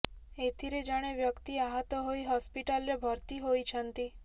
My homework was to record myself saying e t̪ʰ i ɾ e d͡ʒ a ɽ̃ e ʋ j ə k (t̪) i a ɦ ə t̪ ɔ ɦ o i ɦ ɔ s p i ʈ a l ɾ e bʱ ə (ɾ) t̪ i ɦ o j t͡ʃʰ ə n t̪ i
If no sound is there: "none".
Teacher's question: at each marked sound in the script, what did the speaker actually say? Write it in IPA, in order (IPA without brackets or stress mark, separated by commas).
t̪, ɾ